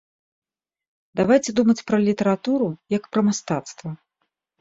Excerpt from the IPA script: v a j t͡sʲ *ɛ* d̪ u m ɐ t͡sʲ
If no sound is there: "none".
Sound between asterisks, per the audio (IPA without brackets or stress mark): ɛ